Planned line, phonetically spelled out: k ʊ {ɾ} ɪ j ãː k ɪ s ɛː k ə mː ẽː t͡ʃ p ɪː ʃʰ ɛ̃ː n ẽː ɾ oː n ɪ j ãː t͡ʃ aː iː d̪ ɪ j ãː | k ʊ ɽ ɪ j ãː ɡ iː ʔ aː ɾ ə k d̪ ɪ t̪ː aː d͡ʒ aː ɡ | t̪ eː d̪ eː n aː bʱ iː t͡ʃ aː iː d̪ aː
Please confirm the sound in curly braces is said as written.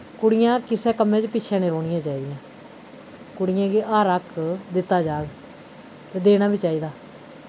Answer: no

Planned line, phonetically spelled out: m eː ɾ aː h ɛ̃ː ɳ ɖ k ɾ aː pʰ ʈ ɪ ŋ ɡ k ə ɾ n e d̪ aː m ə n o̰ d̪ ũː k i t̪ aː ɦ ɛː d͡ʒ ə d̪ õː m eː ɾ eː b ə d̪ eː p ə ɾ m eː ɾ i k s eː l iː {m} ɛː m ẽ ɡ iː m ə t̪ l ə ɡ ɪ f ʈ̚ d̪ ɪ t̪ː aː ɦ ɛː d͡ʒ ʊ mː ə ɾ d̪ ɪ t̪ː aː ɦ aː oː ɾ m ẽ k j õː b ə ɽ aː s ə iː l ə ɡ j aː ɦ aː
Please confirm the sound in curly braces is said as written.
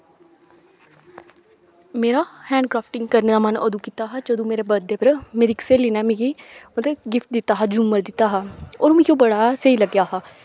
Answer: no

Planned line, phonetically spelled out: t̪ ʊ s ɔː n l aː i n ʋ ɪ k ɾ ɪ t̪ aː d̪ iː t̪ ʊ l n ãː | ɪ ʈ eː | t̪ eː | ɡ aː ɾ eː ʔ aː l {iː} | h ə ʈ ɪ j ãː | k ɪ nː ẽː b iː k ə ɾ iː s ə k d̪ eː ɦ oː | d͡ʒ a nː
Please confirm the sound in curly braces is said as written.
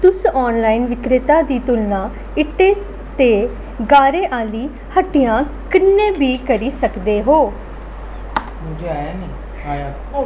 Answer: yes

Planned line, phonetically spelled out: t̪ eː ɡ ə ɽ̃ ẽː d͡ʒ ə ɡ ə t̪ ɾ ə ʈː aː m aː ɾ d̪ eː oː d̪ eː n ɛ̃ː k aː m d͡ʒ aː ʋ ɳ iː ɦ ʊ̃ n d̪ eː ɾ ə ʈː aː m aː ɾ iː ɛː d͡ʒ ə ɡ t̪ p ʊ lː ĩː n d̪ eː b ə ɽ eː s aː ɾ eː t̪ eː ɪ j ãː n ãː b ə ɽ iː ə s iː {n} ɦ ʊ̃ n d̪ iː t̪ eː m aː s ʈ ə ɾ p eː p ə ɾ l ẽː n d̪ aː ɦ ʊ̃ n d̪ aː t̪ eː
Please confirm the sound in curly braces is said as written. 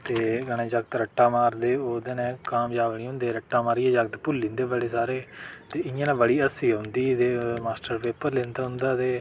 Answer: no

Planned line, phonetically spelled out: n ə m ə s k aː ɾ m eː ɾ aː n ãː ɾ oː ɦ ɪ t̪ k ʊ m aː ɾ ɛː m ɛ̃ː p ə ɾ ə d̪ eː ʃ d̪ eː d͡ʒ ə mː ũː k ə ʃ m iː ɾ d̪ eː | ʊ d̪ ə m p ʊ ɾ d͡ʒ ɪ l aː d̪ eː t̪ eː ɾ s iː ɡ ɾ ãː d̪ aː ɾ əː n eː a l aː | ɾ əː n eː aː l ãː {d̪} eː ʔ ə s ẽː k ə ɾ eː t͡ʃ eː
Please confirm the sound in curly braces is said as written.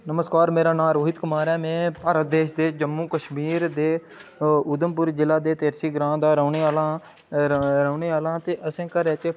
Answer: no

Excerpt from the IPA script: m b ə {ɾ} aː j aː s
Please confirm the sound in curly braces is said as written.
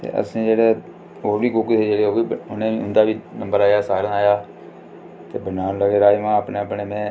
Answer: yes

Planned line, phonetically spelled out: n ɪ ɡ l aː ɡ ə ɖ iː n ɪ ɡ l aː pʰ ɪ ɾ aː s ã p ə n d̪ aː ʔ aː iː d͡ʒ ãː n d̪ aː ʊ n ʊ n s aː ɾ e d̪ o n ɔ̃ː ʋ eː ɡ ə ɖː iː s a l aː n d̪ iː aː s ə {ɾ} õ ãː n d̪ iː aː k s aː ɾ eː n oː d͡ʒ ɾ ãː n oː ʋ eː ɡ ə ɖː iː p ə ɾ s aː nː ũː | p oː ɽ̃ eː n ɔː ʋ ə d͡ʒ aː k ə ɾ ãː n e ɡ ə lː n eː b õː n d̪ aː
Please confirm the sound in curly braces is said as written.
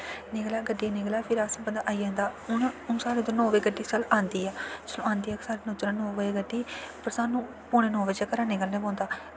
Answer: no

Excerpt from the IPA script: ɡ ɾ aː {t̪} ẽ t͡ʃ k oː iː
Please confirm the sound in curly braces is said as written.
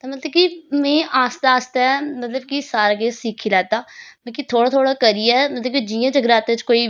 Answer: yes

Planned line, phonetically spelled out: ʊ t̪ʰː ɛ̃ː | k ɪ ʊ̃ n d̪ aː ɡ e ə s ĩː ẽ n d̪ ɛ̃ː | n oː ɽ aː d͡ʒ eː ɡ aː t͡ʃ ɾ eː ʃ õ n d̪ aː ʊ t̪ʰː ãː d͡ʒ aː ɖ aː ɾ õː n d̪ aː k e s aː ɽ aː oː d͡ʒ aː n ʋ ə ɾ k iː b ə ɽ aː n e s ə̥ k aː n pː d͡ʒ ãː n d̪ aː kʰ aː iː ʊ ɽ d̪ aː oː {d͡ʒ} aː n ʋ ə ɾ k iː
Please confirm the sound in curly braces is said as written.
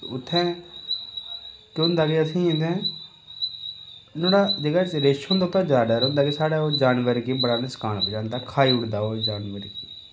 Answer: yes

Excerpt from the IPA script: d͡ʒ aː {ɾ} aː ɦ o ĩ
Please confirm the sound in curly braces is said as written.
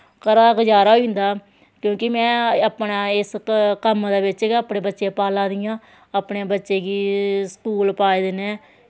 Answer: yes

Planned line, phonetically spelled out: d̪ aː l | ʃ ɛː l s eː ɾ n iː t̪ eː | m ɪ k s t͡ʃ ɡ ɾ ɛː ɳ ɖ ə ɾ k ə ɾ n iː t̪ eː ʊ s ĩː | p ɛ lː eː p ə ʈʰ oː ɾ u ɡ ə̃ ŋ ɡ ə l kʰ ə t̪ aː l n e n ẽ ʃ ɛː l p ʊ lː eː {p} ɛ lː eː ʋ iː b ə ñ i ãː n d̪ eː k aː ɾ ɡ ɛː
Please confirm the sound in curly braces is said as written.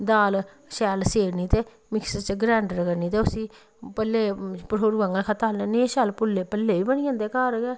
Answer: yes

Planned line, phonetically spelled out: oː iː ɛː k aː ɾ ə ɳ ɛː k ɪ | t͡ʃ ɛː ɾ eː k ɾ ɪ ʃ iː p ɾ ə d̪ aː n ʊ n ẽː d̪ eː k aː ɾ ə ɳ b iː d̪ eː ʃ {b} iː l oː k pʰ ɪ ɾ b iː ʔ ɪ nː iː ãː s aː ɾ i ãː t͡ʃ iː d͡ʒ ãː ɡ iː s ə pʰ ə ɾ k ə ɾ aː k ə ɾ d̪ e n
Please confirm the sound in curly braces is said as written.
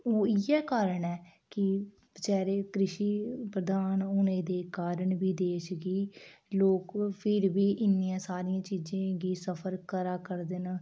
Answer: no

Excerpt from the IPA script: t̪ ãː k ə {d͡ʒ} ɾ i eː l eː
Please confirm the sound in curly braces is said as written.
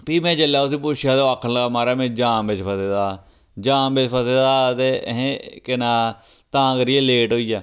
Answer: no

